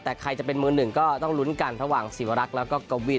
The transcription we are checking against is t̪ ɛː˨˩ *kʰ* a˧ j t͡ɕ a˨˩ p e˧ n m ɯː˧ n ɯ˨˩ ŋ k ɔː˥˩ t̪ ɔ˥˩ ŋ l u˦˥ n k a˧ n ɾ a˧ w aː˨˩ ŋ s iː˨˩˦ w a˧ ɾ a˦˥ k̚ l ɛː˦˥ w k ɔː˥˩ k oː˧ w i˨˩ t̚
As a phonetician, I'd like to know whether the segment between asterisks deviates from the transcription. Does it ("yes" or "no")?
no